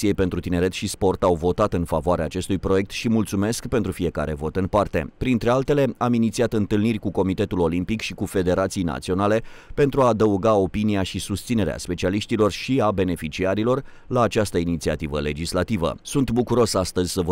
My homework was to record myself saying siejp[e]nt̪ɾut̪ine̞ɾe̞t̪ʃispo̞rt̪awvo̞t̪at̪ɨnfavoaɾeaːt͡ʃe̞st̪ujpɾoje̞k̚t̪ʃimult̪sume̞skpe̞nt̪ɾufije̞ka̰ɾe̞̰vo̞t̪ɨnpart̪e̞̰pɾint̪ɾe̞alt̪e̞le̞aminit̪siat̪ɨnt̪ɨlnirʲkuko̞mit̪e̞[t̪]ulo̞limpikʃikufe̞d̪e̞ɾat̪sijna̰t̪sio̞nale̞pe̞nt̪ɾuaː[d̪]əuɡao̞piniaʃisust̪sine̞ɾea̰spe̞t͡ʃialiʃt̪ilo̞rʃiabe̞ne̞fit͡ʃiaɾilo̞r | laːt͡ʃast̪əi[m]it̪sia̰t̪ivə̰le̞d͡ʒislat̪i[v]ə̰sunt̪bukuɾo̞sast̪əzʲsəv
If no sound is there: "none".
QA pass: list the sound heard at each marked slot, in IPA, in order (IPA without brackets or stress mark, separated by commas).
e, t̪, d̪, n, v